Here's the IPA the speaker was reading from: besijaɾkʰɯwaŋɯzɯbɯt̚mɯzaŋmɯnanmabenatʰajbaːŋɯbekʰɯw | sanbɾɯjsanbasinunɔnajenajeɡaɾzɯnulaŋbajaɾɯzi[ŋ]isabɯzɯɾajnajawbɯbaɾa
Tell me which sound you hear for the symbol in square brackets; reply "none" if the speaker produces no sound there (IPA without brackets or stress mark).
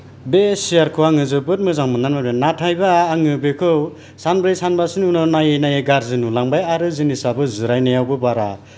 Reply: n